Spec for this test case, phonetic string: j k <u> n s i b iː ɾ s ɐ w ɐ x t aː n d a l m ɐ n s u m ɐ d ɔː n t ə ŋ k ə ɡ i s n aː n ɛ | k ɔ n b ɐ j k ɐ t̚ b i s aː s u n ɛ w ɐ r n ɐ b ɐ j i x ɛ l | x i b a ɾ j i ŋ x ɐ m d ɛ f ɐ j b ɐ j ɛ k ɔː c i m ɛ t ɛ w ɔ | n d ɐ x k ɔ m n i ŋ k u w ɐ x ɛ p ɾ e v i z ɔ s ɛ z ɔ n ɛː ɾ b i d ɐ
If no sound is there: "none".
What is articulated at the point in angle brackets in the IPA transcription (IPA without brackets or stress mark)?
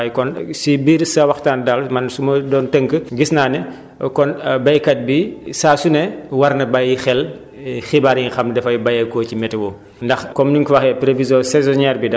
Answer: ɔ